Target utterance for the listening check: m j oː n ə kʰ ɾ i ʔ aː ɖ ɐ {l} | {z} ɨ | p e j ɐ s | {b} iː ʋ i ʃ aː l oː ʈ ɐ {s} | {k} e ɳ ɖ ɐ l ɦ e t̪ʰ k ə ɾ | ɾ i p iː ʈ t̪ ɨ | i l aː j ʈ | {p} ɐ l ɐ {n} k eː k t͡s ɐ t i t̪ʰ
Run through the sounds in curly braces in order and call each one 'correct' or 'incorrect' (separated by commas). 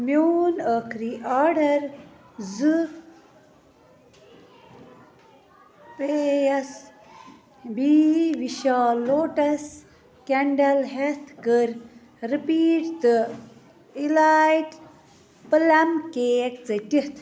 incorrect, correct, correct, correct, correct, correct, incorrect